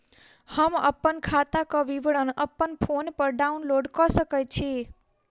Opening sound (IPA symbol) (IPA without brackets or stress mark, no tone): h